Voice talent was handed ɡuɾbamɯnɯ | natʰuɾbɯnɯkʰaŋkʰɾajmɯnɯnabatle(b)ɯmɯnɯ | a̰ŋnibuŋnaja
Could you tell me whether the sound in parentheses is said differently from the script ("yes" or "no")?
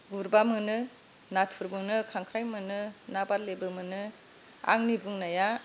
no